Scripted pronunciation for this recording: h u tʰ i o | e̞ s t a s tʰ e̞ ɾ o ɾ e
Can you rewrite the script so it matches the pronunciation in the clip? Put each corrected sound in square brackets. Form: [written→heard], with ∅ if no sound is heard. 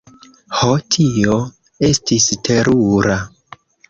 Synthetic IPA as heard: h [u→o] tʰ i o | e̞ s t [a→i] s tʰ e̞ ɾ [o→u] ɾ [e→a]